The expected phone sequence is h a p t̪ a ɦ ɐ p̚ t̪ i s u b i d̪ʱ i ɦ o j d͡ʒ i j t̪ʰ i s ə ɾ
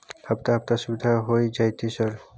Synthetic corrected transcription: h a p t̪ a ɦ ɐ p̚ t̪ a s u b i d̪ʱ a ɦ o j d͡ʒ a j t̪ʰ i s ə ɾ